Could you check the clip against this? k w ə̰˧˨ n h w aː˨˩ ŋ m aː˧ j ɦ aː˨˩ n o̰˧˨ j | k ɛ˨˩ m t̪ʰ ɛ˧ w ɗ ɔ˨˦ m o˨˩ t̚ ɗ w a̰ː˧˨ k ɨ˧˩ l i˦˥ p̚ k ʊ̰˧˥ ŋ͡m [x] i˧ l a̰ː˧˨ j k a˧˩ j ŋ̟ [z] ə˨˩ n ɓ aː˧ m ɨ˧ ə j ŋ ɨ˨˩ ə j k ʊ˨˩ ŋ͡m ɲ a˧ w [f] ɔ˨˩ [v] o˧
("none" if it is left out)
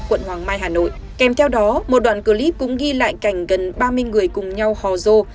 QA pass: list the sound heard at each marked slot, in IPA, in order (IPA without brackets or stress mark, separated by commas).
ɣ, ɣ, h, z